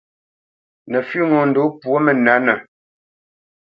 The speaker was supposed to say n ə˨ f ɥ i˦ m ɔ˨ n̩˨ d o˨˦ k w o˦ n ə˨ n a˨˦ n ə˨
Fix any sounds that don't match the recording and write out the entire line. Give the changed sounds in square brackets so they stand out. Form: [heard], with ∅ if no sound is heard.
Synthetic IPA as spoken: n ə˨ f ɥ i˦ [ŋ] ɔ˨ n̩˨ d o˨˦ [p] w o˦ [m] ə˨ n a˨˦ n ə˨